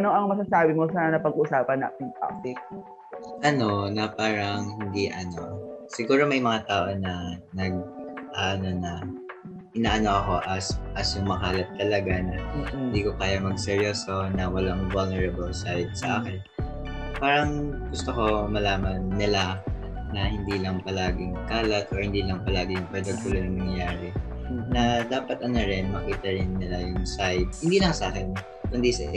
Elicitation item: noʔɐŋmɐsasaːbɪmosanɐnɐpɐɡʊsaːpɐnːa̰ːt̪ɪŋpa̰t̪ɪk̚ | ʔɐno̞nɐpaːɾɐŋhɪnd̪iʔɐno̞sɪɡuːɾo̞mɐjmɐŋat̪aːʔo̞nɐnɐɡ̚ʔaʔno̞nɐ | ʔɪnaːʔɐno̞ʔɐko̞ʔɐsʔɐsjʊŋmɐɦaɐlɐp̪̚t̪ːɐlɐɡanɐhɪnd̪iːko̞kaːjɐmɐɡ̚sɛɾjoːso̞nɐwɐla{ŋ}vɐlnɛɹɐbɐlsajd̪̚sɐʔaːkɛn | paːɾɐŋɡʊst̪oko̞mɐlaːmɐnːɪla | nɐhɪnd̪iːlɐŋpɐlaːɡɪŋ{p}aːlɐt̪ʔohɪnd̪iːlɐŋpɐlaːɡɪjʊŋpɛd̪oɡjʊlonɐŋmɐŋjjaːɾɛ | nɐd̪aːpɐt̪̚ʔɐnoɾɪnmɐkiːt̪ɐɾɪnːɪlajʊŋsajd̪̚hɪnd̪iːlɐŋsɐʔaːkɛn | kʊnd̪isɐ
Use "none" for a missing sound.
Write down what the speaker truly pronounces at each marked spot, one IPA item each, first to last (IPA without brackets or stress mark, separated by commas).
ŋ, k